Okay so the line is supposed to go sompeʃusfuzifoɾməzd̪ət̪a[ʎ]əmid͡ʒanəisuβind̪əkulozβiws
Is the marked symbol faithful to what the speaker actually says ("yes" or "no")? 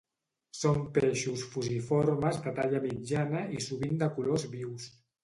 yes